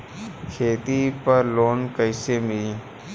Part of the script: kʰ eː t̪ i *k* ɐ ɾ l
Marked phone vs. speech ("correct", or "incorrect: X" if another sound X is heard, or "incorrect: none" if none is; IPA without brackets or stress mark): incorrect: p